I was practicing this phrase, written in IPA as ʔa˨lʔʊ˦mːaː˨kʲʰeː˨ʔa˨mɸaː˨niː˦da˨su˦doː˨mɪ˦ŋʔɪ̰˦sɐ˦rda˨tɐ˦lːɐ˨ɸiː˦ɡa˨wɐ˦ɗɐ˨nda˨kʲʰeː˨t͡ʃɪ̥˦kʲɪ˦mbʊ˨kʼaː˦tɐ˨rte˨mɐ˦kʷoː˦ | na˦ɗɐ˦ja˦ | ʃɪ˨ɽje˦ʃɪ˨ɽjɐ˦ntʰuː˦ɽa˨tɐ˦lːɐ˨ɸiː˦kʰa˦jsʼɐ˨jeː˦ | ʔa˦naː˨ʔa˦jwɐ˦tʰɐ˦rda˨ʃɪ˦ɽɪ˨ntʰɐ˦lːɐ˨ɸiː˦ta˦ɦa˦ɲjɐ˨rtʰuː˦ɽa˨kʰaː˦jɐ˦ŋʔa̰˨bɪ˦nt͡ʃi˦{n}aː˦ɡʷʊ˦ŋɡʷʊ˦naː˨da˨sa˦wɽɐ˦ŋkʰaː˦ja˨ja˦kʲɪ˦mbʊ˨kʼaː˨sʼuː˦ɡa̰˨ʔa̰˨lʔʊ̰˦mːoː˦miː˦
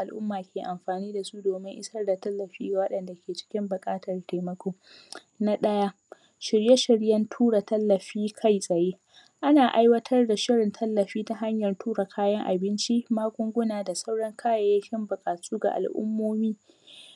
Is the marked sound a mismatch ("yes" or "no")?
yes